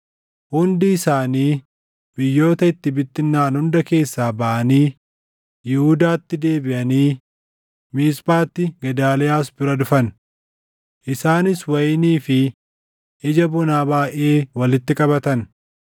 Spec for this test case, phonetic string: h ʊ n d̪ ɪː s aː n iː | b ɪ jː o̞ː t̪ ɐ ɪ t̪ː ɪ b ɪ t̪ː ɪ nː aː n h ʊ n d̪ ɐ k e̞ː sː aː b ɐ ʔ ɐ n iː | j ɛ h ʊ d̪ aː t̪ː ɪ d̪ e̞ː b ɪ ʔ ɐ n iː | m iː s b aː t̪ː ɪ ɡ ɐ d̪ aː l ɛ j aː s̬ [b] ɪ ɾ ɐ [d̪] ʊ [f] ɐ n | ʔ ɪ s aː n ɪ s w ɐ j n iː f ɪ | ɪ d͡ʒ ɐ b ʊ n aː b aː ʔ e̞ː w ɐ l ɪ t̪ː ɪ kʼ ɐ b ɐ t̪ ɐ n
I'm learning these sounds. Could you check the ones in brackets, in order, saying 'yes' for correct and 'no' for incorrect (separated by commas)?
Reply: yes, yes, yes